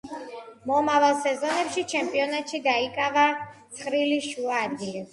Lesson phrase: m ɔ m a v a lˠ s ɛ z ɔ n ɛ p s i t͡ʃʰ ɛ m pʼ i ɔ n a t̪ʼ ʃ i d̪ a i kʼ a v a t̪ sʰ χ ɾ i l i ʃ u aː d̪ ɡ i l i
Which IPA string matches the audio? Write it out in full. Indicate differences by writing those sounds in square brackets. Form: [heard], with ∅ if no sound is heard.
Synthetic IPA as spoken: m ɔ m a v a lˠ s ɛ z ɔ n ɛ p [ʃ] i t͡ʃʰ ɛ m pʼ i ɔ n a [t̪] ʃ i d̪ a i kʼ a v a t̪ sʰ χ ɾ i l i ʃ u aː d̪ ɡ i l i